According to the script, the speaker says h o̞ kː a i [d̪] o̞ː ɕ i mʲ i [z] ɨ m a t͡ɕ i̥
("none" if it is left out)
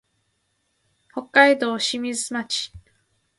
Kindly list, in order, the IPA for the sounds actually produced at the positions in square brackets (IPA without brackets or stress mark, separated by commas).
d̪, z